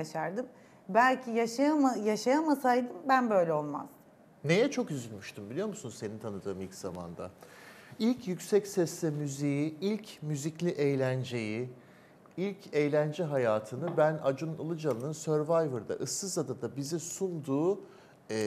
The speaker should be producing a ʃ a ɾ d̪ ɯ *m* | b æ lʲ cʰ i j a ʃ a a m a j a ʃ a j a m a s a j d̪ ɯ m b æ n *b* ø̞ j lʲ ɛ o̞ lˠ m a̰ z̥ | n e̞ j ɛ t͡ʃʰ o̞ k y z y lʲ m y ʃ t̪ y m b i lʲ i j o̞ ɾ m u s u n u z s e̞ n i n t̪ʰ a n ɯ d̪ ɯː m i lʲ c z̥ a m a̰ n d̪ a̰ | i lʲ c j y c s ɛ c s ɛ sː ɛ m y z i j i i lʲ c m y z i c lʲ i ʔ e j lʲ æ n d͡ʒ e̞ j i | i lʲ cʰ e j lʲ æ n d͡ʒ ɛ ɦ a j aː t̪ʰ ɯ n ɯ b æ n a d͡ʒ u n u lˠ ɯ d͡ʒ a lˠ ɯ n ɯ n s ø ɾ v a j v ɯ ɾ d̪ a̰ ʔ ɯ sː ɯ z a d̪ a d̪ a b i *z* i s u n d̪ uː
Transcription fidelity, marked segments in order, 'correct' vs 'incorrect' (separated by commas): correct, correct, correct